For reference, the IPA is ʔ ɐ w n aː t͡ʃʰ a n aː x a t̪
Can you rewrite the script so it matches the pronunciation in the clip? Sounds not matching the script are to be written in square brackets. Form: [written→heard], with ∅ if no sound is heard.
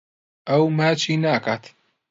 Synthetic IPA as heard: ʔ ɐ w [n→m] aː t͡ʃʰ [a→i] n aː [x→k] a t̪